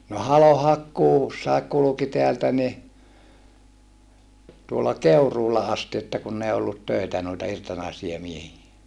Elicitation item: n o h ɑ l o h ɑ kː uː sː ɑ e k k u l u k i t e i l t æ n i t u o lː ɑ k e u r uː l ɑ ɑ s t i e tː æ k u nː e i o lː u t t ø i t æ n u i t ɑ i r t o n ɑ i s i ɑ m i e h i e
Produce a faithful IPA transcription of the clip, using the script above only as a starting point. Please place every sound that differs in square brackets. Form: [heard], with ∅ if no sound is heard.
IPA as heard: n o h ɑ l o h ɑ kː uː sː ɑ e k k u l u k i t e [æ] l t æ n i t u o lː ɑ k e u r uː l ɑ ɑ s t i e tː æ k u nː e i o lː u t t ø i t æ n u i t ɑ i r t o n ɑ i s i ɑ m i e h i e

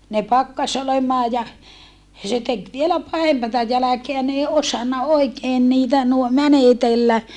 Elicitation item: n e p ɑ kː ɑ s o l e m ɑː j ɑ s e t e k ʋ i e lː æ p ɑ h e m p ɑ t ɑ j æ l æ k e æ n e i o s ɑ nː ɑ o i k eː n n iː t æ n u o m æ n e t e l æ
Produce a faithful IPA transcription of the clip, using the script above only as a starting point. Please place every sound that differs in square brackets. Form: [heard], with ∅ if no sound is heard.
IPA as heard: n e p ɑ kː ɑ s o l e m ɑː j ɑ s e t e k ʋ i e [l] æ p ɑ h e m p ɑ t ɑ j æ l æ k e æ n e i o s ɑ nː ɑ o i k eː n n iː t æ n u o m æ n e t e [lː] æ

